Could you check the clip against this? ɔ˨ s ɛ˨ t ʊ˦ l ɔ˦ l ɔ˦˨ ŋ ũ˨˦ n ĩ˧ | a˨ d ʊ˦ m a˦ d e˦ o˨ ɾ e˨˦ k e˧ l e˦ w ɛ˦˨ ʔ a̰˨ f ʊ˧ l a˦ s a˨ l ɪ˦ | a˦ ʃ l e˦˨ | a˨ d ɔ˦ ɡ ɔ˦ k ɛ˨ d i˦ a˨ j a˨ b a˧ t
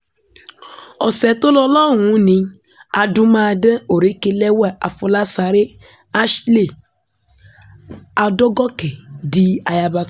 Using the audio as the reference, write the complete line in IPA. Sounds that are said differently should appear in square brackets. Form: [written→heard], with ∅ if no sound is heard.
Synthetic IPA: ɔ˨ s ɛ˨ t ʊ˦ l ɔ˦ l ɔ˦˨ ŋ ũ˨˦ n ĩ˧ | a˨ d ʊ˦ m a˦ d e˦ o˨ ɾ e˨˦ k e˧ l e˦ w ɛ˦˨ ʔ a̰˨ f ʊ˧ l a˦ s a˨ [l→ɾ] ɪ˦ | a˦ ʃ l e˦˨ | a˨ d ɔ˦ ɡ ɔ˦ k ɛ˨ d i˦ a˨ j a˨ b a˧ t